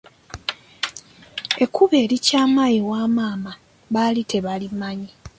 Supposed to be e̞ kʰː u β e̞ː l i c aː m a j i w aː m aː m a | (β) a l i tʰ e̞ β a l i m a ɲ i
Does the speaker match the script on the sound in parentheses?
yes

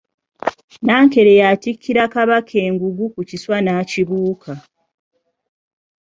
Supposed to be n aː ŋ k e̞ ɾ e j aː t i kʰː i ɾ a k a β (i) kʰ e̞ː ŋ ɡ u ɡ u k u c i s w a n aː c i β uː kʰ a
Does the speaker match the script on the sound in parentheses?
no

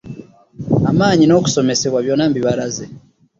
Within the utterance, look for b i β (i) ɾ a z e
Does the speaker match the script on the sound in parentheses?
no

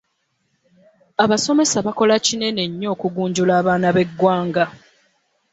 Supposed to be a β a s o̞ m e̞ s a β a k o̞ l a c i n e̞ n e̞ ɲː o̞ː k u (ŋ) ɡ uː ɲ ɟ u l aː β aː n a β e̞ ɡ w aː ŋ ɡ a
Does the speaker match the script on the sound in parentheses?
no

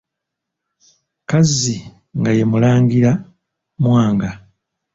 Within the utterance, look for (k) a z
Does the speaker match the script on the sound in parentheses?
yes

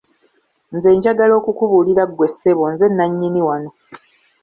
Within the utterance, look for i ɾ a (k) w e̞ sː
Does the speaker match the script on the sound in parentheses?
no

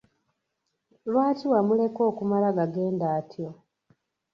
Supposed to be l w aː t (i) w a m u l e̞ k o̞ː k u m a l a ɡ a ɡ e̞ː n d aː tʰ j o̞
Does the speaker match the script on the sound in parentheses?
yes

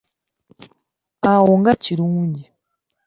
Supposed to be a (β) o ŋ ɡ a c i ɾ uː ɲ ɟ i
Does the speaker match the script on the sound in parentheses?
no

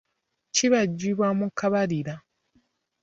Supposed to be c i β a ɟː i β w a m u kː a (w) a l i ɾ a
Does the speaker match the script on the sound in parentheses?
no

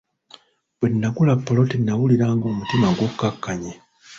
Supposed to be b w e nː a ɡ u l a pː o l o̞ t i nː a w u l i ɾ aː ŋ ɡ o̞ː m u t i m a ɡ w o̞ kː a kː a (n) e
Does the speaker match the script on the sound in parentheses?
no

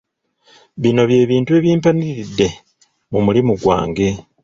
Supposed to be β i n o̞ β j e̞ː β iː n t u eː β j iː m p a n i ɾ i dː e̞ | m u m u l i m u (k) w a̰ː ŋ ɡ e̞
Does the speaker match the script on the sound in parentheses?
no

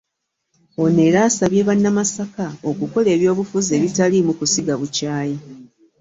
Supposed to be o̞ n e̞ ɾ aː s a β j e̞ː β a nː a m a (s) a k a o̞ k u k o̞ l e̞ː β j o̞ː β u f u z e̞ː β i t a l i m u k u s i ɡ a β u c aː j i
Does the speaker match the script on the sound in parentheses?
yes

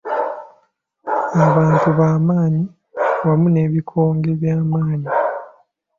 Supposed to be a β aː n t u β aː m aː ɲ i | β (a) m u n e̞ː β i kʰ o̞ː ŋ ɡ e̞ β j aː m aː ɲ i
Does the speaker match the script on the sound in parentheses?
yes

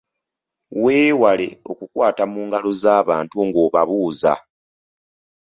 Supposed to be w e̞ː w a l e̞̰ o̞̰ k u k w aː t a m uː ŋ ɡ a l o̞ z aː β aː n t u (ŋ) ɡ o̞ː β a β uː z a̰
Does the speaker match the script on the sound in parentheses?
yes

